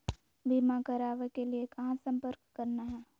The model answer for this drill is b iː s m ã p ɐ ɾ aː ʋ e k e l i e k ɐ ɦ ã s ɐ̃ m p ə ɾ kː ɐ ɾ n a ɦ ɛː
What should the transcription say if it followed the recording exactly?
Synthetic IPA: b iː m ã k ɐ ɾ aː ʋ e k e l i e k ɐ ɦ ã s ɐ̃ m p ə ɾ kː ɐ ɾ n a ɦ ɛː